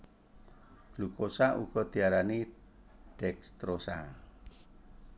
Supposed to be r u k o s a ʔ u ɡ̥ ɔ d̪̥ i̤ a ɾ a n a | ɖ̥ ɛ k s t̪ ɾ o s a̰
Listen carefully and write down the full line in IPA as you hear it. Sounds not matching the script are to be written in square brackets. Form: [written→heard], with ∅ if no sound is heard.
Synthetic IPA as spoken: [r→l] u k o s a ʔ u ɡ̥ ɔ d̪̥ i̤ a ɾ a n [a→i] | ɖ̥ ɛ k s t̪ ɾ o s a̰